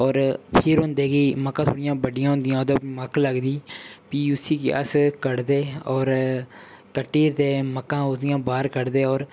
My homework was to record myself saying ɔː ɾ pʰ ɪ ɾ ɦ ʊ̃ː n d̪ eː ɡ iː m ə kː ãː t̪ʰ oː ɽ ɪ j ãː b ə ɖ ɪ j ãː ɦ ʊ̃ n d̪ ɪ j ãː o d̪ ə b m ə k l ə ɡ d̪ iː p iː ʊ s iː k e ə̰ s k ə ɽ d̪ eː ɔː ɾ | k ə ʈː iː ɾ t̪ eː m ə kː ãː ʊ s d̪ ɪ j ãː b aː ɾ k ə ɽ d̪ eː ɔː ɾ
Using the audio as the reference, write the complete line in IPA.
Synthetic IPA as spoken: ɔː ɾ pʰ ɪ ɾ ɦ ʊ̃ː n d̪ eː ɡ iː m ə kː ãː t̪ʰ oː ɽ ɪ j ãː b ə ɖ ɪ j ãː ɦ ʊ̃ n d̪ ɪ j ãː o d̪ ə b m ə k l ə ɡ d̪ iː p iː ʊ s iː k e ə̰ s k ə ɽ d̪ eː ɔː ɾ | k ə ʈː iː ɾ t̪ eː m ə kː ãː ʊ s d̪ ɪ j ãː b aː ɾ k ə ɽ d̪ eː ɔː ɾ